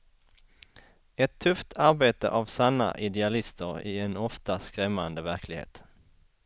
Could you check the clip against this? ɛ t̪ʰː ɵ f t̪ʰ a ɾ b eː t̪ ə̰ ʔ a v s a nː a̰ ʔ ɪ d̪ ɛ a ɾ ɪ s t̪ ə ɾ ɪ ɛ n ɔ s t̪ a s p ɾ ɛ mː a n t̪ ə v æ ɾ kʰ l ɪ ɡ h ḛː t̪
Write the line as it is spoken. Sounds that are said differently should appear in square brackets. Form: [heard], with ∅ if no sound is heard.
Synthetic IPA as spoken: ɛ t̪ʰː ɵ f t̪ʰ a ɾ b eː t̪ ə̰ ʔ a v s a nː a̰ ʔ ɪ d̪ ɛ a [l] ɪ s t̪ ə ɾ ɪ ɛ n ɔ [f] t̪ a s [k] ɾ ɛ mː a n [d̪] ə v æ ɾ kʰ l ɪ ɡ h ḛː t̪

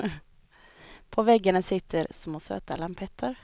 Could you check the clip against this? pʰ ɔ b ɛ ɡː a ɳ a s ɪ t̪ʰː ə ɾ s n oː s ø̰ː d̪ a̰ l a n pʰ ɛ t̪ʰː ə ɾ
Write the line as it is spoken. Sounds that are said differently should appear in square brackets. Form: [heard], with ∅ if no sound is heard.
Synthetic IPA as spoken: pʰ ɔ [v] ɛ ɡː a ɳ a s ɪ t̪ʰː ə ɾ s [m] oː s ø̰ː [t̪] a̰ l a [m] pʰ ɛ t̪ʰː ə ɾ

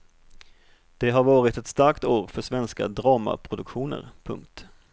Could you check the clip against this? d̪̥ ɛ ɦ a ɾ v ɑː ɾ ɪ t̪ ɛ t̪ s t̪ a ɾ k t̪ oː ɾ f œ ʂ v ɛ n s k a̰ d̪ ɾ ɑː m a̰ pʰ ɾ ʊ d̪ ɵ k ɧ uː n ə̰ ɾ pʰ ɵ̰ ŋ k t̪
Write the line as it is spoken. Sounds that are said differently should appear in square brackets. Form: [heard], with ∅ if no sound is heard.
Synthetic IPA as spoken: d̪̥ ɛ ɦ a ɾ v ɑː ɾ ɪ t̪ ɛ t̪ s t̪ a ɾ k t̪ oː ɾ f œ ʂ v ɛ n s k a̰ d̪ ɾ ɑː m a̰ pʰ ɾ ʊ d̪ ɵ k ɧ uː n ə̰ ɾ pʰ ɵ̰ ŋ k t̪

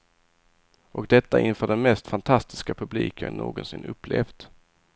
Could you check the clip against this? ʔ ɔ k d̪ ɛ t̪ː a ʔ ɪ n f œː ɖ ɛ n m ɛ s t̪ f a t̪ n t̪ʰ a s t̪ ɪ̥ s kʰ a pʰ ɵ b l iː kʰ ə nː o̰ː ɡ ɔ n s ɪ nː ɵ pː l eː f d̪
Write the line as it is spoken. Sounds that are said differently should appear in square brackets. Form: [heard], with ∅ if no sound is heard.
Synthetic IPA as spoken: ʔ ɔ k d̪ ɛ t̪ː a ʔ ɪ n f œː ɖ ɛ n m ɛ s t̪ f a [∅] n t̪ʰ a s t̪ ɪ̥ s [k] a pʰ ɵ b l iː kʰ ə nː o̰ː ɡ ɔ n s ɪ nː ɵ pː l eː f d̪

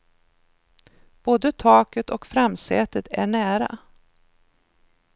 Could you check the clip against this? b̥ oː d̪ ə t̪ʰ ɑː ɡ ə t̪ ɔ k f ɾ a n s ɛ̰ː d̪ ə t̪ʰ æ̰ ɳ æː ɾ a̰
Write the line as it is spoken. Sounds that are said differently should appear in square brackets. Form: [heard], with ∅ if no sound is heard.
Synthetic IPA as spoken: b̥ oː d̪ ə t̪ʰ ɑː [k] ə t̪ ɔ k f ɾ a [m] s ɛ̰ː [t̪] ə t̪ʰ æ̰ ɳ æː ɾ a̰

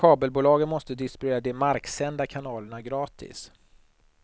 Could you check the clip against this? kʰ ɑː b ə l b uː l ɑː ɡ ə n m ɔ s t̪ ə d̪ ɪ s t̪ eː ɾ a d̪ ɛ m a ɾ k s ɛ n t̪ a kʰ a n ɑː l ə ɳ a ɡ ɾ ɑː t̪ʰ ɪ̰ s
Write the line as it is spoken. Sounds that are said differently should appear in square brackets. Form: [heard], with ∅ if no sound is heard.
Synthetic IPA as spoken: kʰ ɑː b ə l b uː l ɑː ɡ ə n m ɔ s t̪ ə d̪ ɪ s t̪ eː ɾ a d̪ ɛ m a ɾ k s ɛ n [d̪] a kʰ a n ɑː l ə ɳ a ɡ ɾ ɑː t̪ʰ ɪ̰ s

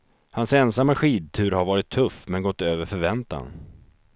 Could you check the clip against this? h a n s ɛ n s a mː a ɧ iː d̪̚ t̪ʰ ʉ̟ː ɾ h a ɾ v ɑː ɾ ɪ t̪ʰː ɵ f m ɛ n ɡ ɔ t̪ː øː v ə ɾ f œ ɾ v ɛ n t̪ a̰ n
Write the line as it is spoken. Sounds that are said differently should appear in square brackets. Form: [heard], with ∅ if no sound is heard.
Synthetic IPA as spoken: h a n s ɛ n s a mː a ɧ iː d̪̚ t̪ʰ ʉ̟ː ɾ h a ɾ v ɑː ɾ ɪ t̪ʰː ɵ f m ɛ n ɡ ɔ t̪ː øː v ə ɾ f œ ɾ v ɛ n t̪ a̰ n

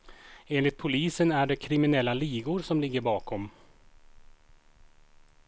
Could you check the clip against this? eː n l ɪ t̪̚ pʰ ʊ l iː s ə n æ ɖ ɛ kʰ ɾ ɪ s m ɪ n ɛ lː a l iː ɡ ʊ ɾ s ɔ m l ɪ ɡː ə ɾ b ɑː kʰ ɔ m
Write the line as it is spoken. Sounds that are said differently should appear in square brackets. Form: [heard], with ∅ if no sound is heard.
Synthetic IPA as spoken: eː n l ɪ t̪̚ pʰ ʊ l iː s ə n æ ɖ ɛ kʰ ɾ ɪ [∅] m ɪ n ɛ lː a l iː ɡ ʊ ɾ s ɔ m l ɪ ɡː ə ɾ b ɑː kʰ ɔ m

